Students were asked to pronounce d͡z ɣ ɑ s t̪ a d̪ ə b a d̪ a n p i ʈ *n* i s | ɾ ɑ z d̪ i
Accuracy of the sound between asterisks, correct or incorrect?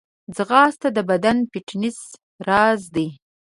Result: correct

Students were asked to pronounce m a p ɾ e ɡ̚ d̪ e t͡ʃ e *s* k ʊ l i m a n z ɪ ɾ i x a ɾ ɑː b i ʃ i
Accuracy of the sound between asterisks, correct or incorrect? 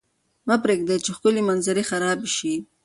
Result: incorrect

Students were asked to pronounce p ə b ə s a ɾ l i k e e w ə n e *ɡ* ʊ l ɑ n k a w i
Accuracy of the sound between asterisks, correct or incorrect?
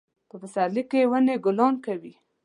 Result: correct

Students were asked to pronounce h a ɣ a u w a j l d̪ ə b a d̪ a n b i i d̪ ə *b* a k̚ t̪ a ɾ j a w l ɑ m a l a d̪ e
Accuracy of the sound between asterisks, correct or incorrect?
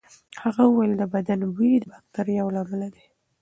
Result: correct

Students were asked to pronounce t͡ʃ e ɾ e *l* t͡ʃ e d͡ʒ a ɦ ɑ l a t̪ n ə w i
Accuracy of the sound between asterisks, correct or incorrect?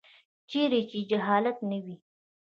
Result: incorrect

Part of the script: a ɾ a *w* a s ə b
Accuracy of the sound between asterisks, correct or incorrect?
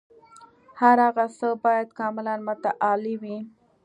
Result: incorrect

